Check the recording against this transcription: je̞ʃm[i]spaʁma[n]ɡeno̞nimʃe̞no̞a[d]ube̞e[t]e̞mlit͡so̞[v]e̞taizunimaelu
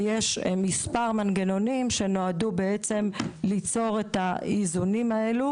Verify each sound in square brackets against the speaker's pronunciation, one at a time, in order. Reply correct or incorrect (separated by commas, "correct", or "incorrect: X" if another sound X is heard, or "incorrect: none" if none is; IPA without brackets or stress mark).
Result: correct, correct, correct, incorrect: t͡s, incorrect: ʁ